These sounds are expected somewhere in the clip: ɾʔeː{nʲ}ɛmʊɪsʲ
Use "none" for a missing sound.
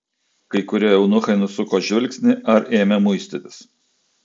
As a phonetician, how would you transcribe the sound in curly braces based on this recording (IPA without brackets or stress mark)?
mʲ